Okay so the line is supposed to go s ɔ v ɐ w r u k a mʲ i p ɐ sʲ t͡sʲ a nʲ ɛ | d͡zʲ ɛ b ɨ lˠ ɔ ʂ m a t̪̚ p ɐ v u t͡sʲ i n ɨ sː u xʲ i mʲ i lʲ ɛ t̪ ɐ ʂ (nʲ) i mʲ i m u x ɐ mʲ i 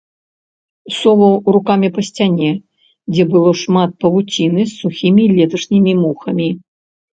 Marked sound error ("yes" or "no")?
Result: no